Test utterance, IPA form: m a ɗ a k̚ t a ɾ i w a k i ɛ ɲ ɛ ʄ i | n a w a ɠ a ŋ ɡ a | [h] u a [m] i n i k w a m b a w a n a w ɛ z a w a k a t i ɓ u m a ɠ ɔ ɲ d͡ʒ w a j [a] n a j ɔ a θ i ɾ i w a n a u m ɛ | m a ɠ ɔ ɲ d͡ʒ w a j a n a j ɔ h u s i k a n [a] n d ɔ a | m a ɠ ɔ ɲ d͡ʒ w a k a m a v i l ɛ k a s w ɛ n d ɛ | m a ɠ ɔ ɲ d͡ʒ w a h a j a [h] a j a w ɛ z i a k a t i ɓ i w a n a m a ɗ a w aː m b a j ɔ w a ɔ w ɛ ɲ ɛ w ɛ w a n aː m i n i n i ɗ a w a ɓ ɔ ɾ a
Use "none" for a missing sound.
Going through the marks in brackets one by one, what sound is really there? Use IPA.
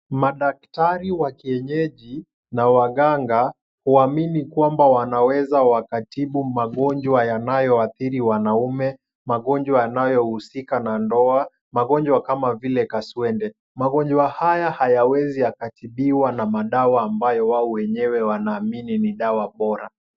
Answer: h, m, a, a, h

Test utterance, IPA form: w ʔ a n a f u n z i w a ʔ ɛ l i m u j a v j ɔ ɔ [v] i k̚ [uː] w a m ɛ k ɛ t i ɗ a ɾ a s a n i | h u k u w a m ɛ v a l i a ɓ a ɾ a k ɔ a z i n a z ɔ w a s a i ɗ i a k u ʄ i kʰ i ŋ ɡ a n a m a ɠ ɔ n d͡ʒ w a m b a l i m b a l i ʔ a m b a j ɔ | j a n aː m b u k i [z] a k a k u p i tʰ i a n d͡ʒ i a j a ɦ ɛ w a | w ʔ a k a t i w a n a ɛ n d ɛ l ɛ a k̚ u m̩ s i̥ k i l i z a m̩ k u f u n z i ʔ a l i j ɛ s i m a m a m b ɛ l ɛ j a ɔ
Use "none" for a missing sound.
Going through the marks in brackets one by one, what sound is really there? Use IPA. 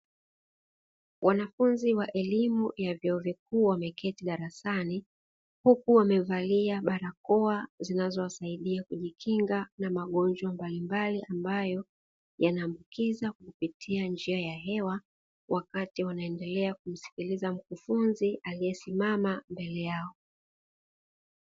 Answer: v, uː, z

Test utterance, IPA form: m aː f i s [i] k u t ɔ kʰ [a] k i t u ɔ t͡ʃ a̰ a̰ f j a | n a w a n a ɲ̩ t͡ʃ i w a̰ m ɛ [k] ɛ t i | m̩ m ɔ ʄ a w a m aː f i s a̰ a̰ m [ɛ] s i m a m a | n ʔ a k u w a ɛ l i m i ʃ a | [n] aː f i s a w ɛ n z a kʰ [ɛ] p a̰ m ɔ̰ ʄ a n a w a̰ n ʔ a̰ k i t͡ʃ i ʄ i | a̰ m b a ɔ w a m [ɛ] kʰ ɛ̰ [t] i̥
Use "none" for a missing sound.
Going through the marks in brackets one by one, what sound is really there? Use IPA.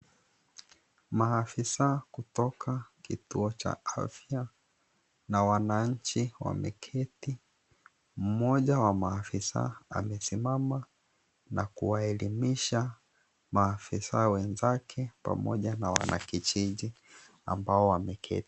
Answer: a, a, kʰ, ɛ, m, ɛ, ɛ, t

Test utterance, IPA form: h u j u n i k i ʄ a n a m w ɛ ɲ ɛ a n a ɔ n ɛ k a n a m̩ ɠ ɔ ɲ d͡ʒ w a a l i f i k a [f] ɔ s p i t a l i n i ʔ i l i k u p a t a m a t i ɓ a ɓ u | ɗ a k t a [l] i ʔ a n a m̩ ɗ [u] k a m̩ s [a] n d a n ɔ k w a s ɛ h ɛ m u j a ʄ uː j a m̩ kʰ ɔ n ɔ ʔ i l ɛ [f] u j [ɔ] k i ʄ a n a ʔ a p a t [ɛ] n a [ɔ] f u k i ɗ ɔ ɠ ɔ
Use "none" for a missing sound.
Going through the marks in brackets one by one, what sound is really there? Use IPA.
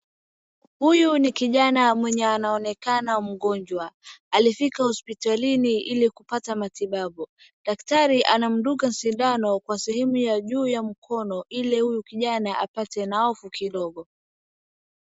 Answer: h, ɾ, u, i, h, u, ɛ, ɔ

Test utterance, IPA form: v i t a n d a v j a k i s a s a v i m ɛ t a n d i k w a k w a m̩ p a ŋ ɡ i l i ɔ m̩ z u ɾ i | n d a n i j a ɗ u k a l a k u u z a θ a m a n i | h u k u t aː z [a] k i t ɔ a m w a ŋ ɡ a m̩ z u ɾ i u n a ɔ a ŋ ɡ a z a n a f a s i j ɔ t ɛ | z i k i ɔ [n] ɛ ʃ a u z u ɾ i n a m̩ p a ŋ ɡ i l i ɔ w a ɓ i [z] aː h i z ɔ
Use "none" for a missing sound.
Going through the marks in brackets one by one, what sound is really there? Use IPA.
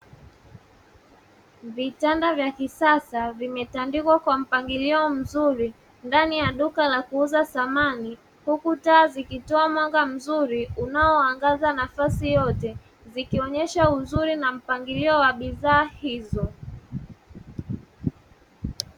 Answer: i, ɲ, ð

